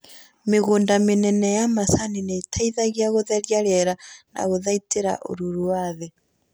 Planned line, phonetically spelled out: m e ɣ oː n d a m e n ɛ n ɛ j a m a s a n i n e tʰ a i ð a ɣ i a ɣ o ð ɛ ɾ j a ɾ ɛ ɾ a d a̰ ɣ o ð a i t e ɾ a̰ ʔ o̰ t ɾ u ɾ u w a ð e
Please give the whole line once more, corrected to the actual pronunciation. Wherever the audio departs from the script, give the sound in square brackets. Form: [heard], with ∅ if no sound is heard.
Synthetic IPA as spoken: m e ɣ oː n d a m e n ɛ n ɛ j a m a s a n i n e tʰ a i ð a ɣ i a ɣ o ð ɛ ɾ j a ɾ ɛ ɾ a [n] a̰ ɣ o ð a i t e ɾ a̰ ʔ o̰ [∅] ɾ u ɾ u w a ð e

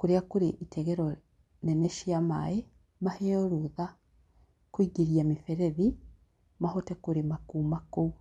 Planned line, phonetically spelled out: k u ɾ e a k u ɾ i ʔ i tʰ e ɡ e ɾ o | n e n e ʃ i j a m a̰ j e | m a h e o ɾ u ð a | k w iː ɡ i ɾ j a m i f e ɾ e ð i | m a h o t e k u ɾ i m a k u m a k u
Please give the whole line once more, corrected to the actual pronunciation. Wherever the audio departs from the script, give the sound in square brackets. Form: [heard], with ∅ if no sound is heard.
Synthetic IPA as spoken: k u ɾ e a k u ɾ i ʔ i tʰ e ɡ e ɾ o | n e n e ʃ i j a m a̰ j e | m a h e o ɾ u ð a | k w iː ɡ i ɾ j a m i f e ɾ e ð i | m a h o t e k u ɾ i m a k u m a k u

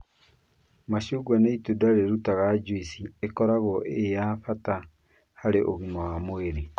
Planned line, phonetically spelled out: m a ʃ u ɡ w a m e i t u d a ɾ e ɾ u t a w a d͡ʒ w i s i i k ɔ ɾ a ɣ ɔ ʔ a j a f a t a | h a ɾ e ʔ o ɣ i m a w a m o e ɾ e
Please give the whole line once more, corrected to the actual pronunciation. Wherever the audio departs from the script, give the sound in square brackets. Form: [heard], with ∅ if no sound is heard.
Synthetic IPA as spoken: m a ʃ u ɡ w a [n] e i t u d a ɾ e ɾ u t a [ɣ] a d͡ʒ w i s i [e] k ɔ ɾ a ɣ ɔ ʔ [e] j a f a t a | h a ɾ e ʔ o ɣ i m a w a m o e ɾ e

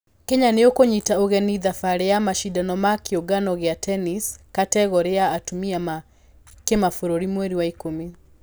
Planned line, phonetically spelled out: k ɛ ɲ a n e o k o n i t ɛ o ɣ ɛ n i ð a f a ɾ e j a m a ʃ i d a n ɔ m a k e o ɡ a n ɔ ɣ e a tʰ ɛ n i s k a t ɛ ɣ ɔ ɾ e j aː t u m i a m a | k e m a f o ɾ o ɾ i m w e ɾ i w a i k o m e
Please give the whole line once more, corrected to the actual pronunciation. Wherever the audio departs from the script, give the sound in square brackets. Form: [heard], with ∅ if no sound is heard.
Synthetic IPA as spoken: k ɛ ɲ a n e o k o [ɲ] i t [a] o ɣ ɛ n i ð a f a ɾ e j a m a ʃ i d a n ɔ m a k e o ɡ a n ɔ ɣ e a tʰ ɛ n i s k a t ɛ ɣ ɔ ɾ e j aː t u m i a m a | k e m a f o ɾ o ɾ i m w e ɾ i w a i k o m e

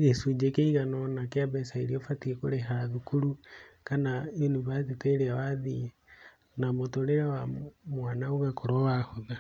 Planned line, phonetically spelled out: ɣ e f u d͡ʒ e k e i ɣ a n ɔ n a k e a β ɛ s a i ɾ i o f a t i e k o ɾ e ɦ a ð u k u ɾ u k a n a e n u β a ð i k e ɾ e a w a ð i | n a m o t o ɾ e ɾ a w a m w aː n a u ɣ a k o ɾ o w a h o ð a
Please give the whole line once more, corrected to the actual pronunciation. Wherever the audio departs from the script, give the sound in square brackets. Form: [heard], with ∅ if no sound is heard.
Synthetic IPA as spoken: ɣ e [s] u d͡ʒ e k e i ɣ a n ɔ n a k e a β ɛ s a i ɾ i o f a t i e k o ɾ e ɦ a ð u k u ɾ u k a n a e n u β a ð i [t] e ɾ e a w a ð i | n a m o t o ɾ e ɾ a w a m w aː n a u ɣ a k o ɾ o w a h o ð a

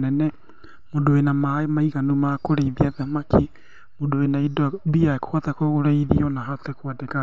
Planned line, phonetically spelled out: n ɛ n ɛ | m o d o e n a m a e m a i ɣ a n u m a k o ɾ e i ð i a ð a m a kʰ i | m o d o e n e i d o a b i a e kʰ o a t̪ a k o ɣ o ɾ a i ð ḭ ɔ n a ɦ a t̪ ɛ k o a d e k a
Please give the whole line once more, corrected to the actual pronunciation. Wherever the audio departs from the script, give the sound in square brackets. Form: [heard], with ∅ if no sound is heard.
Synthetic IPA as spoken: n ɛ n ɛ | m o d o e n a m a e m a i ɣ a n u m a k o ɾ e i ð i a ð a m a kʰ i | m o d o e n [a] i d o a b i a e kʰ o a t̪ a k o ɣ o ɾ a i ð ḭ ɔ n a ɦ a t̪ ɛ k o a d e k a

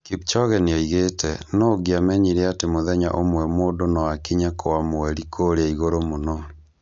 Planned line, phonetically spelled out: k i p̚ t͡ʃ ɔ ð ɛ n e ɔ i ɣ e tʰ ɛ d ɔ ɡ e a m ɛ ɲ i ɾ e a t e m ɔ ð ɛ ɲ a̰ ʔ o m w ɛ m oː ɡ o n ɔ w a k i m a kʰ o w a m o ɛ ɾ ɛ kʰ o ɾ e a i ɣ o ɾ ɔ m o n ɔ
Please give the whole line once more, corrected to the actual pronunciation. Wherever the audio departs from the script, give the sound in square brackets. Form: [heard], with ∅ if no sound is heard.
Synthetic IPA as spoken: k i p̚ t͡ʃ ɔ [ɣ] ɛ n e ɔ i ɣ e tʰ ɛ [n] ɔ ɡ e a m ɛ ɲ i ɾ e a t e m [o] ð ɛ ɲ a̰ ʔ o m w ɛ m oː [d] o n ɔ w a k i [ɲ] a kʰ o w a m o ɛ ɾ [i] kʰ o ɾ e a i ɣ o ɾ [o] m o n ɔ

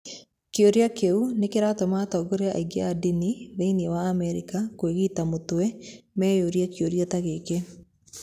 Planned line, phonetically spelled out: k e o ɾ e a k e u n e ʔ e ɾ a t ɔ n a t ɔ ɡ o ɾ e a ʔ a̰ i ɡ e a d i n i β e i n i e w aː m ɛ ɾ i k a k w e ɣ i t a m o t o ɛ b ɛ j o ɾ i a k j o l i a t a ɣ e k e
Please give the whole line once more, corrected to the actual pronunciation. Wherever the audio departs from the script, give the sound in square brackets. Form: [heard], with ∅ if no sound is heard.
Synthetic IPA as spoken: k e o ɾ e a k e u n e [k] e ɾ a t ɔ [m] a t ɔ ɡ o ɾ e a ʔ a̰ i ɡ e a d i n i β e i n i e w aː m ɛ ɾ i k a k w e ɣ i t a m o t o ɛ [m] ɛ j o ɾ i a k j o [ɾ] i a t a ɣ e k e

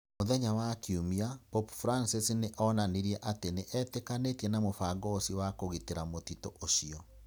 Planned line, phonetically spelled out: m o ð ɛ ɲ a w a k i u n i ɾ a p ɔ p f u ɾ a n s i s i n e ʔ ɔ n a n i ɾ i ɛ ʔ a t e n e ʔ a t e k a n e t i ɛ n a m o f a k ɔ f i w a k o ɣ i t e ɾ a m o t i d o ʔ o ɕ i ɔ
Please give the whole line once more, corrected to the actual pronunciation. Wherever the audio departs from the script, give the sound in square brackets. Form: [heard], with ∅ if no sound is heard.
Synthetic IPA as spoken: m o ð ɛ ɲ a w a k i u [m] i [∅] a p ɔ p f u ɾ a n s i s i n e ʔ ɔ n a n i ɾ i ɛ ʔ a t e n e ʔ [ɛ] t e k a n e t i ɛ n a m o f a [ɡ] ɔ [s] i w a k o ɣ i t e ɾ a m o t i [t] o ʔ o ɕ i ɔ

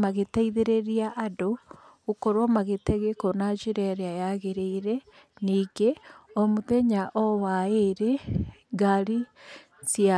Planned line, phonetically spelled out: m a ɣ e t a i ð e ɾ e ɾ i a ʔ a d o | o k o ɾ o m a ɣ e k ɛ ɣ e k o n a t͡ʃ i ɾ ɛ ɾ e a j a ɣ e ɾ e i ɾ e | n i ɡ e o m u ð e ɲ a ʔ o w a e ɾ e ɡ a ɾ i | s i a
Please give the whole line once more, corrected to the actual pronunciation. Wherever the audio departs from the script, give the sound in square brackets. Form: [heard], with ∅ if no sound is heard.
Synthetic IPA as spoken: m a ɣ e t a i ð e ɾ e ɾ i a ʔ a d o | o k o ɾ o m a ɣ e [t] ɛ ɣ e k o n a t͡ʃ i ɾ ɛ ɾ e a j a ɣ e ɾ e i ɾ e | n i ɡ e o m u ð e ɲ a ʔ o w a e ɾ e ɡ a ɾ i | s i a

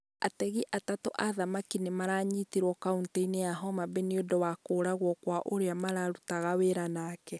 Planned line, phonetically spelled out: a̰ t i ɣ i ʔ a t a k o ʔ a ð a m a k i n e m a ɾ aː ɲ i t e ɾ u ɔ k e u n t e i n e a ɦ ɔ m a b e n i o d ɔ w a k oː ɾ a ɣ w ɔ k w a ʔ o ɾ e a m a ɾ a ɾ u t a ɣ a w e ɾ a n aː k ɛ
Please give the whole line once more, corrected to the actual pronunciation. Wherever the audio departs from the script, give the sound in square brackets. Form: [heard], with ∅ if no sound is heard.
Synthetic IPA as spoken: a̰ t [ɛ] ɣ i ʔ a t a [t] o ʔ a ð a m a k i n e m a ɾ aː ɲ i t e ɾ [w] ɔ k [a] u n t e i n e a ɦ ɔ m a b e n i o d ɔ w a k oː ɾ a ɣ w ɔ k w a ʔ o ɾ e a m a ɾ a ɾ u t a ɣ a w e ɾ a n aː k ɛ

